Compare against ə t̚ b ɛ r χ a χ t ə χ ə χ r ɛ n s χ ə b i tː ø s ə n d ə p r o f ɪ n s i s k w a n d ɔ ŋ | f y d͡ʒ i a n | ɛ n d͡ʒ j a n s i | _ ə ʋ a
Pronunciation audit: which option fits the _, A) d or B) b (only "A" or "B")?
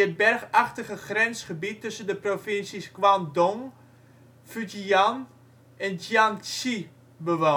B